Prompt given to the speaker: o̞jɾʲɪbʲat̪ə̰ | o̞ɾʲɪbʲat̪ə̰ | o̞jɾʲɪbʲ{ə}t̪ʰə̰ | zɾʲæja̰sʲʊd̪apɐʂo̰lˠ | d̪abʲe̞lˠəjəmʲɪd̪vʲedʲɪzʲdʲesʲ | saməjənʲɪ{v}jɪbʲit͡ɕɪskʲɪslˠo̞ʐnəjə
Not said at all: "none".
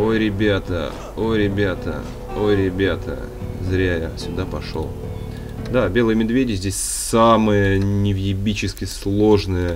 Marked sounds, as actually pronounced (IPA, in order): a, v

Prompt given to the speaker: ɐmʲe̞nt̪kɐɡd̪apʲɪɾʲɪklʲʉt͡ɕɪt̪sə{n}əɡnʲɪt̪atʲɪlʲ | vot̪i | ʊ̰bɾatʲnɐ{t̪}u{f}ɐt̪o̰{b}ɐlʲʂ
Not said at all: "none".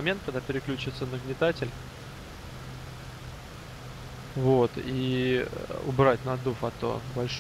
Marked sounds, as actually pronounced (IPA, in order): n, d̪, f, b

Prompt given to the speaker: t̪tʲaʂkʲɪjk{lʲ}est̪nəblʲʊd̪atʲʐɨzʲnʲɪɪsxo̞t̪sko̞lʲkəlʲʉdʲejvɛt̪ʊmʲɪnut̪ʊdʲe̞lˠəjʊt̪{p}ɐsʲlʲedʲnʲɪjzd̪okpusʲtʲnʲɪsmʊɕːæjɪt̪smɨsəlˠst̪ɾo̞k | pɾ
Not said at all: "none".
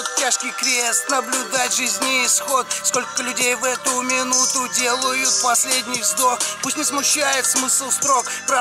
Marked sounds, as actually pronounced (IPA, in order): ɾʲ, p

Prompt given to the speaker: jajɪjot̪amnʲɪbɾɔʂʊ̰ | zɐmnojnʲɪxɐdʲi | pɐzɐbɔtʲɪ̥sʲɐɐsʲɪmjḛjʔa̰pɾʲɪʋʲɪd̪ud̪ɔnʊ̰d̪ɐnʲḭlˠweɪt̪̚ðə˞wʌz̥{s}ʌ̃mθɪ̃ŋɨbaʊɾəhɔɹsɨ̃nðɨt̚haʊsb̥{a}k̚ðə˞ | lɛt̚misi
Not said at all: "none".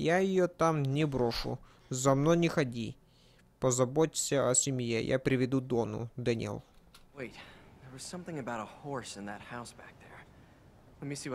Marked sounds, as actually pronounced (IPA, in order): s, æ

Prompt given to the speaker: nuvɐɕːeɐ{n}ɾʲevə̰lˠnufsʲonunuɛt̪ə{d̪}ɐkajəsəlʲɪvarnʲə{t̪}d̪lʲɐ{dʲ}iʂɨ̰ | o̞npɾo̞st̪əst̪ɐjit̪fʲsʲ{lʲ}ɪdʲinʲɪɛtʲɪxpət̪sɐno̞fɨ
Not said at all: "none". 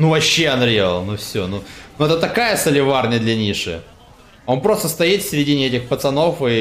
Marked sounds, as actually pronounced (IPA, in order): n, t̪, none, nʲ, ɾʲ

